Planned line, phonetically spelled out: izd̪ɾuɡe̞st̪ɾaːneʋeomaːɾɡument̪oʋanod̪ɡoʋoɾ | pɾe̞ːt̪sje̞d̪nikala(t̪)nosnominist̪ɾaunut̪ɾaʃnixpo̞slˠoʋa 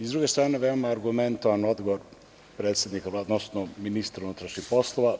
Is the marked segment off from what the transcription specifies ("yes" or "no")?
yes